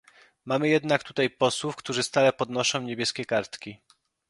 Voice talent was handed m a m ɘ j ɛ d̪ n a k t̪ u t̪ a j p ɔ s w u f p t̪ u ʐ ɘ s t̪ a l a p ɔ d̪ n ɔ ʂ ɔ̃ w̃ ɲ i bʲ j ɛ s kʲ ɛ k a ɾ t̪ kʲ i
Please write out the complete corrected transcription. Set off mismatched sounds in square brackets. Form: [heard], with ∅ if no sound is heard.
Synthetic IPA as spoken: m a m ɘ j ɛ d̪ n a k t̪ u t̪ a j p ɔ s w u f [k] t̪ u ʐ ɘ s t̪ a l [ɛ] p ɔ d̪ n ɔ ʂ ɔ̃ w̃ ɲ [e] bʲ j ɛ s kʲ ɛ k a ɾ t̪ kʲ i